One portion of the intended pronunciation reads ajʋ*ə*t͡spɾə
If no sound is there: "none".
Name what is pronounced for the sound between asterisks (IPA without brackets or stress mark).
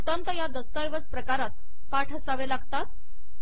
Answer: ə